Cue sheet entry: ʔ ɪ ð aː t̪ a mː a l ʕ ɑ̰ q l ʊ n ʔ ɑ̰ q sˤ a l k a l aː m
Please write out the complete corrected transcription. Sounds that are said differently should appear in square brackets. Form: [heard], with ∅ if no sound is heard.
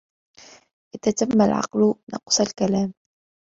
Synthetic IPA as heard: ʔ ɪ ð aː t̪ a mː a l ʕ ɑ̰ q l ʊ n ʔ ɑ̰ q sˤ a l k a l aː m